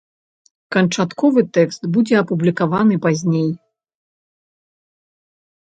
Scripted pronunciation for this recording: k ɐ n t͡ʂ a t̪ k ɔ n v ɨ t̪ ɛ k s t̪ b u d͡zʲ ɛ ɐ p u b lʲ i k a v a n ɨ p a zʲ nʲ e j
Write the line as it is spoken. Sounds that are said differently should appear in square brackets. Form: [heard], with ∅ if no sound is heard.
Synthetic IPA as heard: k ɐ n t͡ʂ a t̪ k ɔ [∅] v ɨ t̪ ɛ k s t̪ b u d͡zʲ ɛ ɐ p u b lʲ i k a v a n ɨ p a zʲ nʲ e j